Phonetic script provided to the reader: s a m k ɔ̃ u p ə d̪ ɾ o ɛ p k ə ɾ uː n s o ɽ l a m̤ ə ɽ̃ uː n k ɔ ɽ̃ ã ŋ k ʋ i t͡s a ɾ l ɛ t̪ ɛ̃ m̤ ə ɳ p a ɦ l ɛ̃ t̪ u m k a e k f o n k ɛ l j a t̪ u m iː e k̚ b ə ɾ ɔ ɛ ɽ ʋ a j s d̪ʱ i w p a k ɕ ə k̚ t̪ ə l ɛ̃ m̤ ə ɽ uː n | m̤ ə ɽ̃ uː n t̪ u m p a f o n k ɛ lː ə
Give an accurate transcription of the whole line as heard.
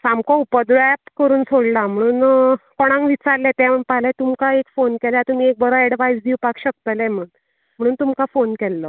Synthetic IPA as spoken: s a m k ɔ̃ u p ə d̪ ɾ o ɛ p k ə ɾ uː n s o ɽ l a m̤ ə ɽ̃ uː n k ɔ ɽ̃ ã ŋ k ʋ i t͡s a ɾ l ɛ t̪ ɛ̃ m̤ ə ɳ p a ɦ l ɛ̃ t̪ u m k a e k f o n k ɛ l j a t̪ u m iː e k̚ b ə ɾ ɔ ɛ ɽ ʋ a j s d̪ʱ i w p a k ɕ ə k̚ t̪ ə l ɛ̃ m̤ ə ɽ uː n | m̤ ə ɽ̃ uː n t̪ u m k a f o n k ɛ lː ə

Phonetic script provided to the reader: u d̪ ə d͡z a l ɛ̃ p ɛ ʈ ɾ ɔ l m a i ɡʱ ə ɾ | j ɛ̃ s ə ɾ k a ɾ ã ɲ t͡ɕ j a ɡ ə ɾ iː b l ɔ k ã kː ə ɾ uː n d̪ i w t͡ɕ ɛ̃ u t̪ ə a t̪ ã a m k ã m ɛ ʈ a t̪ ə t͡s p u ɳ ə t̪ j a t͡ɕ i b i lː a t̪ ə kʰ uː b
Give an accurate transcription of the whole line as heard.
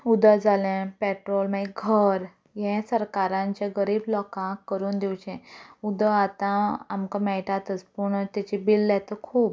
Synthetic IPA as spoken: u d̪ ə d͡z a l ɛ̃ p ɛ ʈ ɾ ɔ l m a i ɡʱ ə ɾ | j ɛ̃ s ə ɾ k a ɾ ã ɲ t͡ɕ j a ɡ ə ɾ iː b l ɔ k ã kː ə ɾ uː n d̪ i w t͡ɕ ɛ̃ u d̪ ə a t̪ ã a m k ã m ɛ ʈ a t̪ ə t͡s p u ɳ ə t̪ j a t͡ɕ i b i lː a t̪ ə kʰ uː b

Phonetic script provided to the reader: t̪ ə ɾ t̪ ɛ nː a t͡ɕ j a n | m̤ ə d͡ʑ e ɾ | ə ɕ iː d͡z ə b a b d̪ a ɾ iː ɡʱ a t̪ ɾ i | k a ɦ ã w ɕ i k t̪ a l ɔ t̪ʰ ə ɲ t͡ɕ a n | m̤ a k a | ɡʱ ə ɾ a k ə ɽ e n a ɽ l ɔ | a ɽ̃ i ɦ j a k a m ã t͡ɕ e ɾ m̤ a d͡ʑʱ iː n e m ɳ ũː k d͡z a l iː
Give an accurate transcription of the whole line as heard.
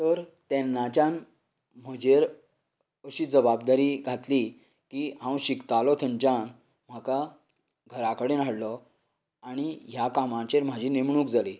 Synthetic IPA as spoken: t̪ ə ɾ t̪ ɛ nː a t͡ɕ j a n | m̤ ə d͡ʑ e ɾ | ə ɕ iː d͡z ə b a b d̪ a ɾ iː ɡʱ a t̪ l i | k i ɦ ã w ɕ i k t̪ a l ɔ t̪ʰ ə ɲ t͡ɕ a n | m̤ a k a | ɡʱ ə ɾ a k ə ɽ e n a ɽ l ɔ | a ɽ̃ i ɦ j a k a m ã t͡ɕ e ɾ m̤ a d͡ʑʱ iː n e m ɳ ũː k d͡z a l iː

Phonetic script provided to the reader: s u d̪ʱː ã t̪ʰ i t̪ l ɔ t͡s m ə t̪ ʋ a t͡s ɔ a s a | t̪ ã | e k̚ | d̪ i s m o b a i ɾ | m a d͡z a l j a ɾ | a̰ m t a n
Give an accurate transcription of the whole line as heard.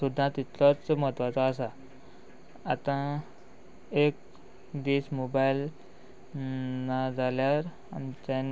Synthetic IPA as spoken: s u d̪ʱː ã t̪ i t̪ l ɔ t͡s m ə t̪ ʋ a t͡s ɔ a s a | t̪ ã | e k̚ | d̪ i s m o b a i l | n a d͡z a l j a ɾ | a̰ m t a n

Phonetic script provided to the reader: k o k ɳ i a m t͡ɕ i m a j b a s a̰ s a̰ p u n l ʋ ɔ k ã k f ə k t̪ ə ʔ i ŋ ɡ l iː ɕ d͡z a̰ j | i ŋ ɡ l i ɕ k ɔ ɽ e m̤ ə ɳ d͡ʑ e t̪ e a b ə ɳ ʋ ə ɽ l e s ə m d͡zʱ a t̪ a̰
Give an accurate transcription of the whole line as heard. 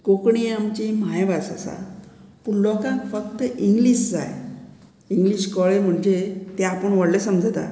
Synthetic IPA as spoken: k o k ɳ i a m t͡ɕ i m a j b a s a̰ s a̰ p u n l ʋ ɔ k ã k f ə k t̪ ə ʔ i ŋ ɡ l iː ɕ d͡z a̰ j | i ŋ ɡ l i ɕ k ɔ ɭ e m̤ ə ɳ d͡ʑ e t̪ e a p ə ɳ ʋ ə ɽ l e s ə m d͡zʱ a t̪ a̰

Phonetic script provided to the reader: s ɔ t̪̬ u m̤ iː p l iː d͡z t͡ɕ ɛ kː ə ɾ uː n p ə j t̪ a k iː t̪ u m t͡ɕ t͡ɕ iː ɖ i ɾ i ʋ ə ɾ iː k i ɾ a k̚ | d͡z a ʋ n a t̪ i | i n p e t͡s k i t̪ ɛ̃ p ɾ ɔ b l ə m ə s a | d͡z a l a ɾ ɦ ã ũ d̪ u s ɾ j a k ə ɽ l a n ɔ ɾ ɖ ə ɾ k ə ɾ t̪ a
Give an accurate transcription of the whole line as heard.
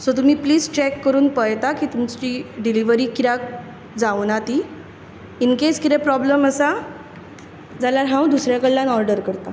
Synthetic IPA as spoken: s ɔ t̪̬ u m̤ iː p l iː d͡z t͡ɕ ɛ kː ə ɾ uː n p ə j t̪ a k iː t̪ u m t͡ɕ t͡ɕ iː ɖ i l i ʋ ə ɾ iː k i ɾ a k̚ | d͡z a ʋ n a t̪ i | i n k e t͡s k i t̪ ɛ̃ p ɾ ɔ b l ə m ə s a | d͡z a l a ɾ ɦ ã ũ d̪ u s ɾ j a k ə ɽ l a n ɔ ɾ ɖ ə ɾ k ə ɾ t̪ a

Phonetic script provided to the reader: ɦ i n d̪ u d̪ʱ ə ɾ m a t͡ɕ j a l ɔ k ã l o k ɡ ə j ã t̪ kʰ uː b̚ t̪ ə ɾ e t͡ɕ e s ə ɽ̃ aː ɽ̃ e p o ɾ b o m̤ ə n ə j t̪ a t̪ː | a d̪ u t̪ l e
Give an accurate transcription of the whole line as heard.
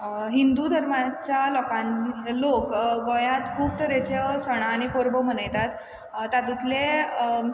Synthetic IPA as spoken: ɦ i n d̪ u d̪ʱ ə ɾ m a t͡ɕ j a l ɔ k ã l o k ɡ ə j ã t̪ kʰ uː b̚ t̪ ə ɾ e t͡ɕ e s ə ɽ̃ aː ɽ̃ i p o ɾ b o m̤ ə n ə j t̪ a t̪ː | a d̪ u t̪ l e

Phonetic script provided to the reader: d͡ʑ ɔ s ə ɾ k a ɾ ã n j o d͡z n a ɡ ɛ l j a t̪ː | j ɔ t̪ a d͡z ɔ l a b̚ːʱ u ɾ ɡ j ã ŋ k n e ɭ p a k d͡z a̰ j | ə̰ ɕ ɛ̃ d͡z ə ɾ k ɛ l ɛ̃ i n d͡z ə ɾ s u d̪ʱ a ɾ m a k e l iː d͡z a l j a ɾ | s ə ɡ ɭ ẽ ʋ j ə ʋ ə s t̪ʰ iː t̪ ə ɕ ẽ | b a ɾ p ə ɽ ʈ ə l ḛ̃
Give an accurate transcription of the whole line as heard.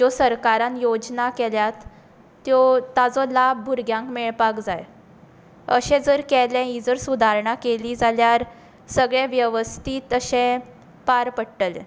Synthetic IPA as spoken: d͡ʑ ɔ s ə ɾ k a ɾ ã n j o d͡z n a k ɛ l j a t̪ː | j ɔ t̪ a d͡z ɔ l a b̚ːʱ u ɾ ɡ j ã ŋ k m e ɭ p a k d͡z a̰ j | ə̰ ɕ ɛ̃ d͡z ə ɾ k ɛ l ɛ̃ i d͡z ə ɾ s u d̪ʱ a ɾ ɳ a k e l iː d͡z a l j a ɾ | s ə ɡ ɭ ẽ ʋ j ə ʋ ə s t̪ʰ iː t̪ ə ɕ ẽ | p a ɾ p ə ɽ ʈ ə l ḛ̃

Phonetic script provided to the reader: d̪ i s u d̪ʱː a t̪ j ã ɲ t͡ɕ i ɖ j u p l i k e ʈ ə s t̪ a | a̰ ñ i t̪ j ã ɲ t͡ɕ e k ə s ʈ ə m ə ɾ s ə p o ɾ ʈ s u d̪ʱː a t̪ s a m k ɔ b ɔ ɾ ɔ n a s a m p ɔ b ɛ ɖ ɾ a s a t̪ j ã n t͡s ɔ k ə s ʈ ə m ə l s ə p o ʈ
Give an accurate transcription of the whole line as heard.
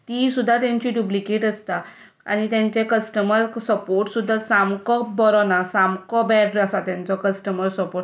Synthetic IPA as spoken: t̪ i s u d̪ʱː a t̪ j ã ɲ t͡ɕ i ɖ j u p l i k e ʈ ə s t̪ a | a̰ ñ i t̪ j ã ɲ t͡ɕ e k ə s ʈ ə m ə ɾ s ə p o ɾ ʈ s u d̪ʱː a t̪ s a m k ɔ b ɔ ɾ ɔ n a s a m k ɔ b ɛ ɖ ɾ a s a t̪ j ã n t͡s ɔ k ə s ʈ ə m ə ɾ s ə p o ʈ

